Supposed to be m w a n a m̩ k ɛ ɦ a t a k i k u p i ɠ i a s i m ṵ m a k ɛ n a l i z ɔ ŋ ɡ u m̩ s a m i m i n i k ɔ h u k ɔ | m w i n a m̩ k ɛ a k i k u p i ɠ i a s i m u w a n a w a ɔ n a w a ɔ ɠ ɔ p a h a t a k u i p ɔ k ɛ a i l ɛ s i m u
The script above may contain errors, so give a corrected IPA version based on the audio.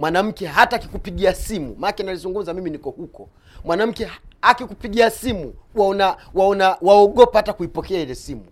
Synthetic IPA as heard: m w a n a m̩ k ɛ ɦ a t a k i k u p i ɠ i a s i m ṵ m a k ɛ n a l i z u ŋ ɡ u m̩ z a m i m i n i k ɔ h u k ɔ | m w a n a m̩ k ɛ a k i k u p i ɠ i a s i m u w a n a w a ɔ n a w a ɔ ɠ ɔ p a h a t a k u i p ɔ k ɛ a i l ɛ s i m u